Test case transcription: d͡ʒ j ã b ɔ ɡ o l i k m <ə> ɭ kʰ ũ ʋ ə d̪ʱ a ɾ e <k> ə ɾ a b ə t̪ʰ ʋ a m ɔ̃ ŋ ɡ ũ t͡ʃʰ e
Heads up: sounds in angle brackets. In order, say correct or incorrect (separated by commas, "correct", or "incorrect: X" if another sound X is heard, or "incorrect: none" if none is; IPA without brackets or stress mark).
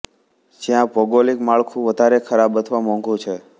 incorrect: a, incorrect: kʰ